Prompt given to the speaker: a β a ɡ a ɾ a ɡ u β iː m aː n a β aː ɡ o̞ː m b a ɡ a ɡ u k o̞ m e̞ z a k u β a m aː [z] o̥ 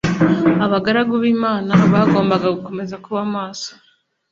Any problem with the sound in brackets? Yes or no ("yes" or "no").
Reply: yes